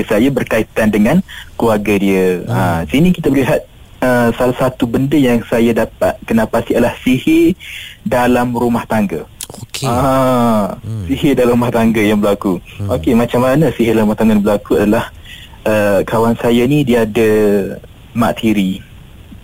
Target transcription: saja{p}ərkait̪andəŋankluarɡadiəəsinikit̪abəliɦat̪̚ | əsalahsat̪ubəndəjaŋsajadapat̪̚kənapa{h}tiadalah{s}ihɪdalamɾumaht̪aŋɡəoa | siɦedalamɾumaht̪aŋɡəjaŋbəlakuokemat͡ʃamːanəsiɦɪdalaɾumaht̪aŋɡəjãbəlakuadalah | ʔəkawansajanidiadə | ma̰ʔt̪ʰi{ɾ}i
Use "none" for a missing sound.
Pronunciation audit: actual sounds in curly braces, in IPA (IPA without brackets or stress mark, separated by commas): b, s, s, ɾ